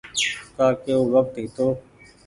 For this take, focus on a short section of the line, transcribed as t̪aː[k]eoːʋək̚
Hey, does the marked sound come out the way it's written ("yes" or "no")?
yes